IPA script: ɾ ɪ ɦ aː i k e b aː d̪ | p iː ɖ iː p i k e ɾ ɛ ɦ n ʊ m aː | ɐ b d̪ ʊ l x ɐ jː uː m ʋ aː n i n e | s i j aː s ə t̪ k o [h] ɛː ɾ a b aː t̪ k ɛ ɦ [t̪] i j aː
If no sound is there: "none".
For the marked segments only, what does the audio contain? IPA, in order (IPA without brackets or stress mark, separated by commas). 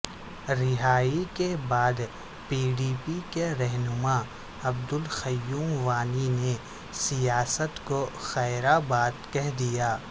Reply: x, d̪